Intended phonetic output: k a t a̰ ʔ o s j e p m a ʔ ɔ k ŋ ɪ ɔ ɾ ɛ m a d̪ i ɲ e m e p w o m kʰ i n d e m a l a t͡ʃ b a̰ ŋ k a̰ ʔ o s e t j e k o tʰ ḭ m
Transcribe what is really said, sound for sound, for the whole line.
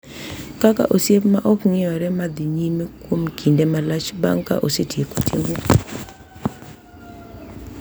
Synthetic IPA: k a k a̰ ʔ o s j e p m a ʔ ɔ k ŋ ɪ ɔ ɾ ɛ m a d̪ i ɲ i m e k w o m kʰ i n d e m a l a t͡ʃ b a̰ ŋ k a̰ ʔ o s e t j e k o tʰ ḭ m